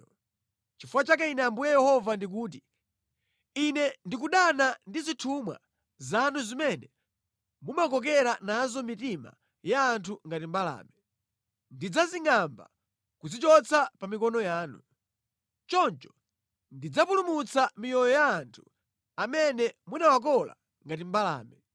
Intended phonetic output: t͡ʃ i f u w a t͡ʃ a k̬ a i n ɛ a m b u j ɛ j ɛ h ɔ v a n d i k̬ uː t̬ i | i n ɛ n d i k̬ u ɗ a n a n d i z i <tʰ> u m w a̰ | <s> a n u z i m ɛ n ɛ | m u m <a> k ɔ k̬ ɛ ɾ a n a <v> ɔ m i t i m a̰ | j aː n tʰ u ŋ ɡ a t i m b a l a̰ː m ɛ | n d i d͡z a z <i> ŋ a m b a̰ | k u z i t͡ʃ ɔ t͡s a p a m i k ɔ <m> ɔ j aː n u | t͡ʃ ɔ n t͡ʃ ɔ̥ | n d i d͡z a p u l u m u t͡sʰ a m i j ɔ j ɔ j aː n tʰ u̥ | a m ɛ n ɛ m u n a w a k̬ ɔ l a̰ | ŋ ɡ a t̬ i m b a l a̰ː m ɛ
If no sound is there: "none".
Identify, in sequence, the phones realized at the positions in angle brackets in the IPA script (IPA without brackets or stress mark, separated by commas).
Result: tʰ, z, a, z, i, n